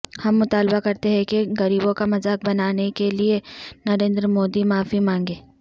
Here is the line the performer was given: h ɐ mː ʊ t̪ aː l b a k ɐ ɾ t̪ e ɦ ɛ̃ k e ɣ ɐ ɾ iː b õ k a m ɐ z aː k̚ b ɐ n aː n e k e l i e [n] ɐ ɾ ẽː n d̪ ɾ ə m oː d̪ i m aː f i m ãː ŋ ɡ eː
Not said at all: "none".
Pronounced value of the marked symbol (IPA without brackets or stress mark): n